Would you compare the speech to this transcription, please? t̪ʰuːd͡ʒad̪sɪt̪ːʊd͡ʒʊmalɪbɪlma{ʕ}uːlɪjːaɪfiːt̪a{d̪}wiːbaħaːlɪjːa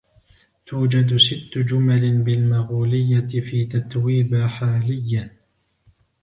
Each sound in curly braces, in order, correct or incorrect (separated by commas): incorrect, incorrect